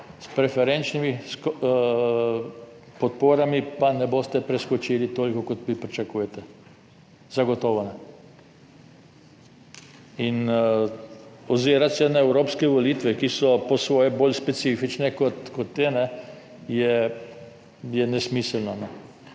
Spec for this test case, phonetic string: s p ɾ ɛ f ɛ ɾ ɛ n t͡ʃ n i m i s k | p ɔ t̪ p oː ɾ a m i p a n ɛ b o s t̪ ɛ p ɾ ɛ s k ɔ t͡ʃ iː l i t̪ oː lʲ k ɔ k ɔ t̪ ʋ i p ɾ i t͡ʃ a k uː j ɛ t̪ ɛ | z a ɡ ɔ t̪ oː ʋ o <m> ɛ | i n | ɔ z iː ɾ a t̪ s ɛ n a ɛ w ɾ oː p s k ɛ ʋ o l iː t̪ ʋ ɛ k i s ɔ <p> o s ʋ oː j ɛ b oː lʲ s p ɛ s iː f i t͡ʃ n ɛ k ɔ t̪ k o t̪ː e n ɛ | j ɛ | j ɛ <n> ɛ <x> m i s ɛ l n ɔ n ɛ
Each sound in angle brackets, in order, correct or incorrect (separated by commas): incorrect, correct, correct, incorrect